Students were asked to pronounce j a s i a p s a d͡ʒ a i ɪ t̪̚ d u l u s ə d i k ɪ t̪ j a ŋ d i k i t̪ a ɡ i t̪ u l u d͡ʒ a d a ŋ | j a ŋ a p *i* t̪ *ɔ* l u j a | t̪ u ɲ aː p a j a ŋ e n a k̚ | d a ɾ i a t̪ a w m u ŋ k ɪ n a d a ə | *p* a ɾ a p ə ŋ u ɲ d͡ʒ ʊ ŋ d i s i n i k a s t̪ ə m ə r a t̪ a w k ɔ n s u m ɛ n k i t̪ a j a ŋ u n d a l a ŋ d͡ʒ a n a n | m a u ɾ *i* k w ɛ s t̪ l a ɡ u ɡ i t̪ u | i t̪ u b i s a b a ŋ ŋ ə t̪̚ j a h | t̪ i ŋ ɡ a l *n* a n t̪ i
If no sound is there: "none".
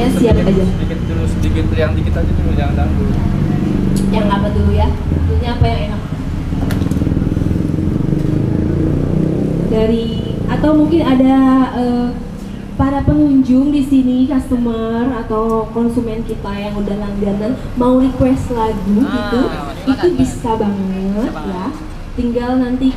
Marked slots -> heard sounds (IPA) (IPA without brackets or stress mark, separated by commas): a, u, p, i, n